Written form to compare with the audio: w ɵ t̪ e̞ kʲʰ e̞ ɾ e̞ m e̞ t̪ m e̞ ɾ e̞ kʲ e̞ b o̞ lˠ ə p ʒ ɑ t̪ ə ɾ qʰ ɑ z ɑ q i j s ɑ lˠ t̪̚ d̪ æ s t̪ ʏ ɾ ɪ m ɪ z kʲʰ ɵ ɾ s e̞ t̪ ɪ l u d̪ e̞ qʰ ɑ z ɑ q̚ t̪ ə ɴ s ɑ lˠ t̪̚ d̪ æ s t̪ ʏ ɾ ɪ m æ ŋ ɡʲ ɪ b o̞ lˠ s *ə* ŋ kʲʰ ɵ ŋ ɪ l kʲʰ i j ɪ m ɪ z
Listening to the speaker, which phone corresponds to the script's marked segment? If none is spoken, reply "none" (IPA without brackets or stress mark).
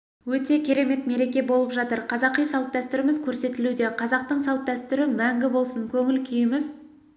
ə